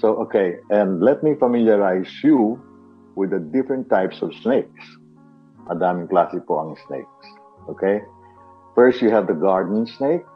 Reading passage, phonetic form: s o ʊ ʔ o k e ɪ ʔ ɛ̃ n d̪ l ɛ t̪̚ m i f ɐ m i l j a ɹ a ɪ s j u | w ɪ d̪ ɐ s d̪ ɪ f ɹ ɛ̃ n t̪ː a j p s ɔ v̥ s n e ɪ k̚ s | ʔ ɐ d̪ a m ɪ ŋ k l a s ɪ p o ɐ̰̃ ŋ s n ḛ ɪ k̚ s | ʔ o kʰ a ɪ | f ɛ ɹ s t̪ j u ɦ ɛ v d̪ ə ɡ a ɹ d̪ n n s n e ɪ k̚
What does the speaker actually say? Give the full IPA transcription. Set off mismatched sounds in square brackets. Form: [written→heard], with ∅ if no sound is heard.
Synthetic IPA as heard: s o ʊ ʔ o k e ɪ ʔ ɛ̃ n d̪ l ɛ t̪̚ m i f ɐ m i l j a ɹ a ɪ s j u | w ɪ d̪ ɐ [s→∅] d̪ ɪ f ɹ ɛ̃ n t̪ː a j p s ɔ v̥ s n e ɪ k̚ s | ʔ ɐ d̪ a m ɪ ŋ k l a s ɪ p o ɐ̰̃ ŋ s n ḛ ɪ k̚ s | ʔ o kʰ [a→e] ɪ | f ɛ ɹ s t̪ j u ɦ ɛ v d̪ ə ɡ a ɹ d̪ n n s n e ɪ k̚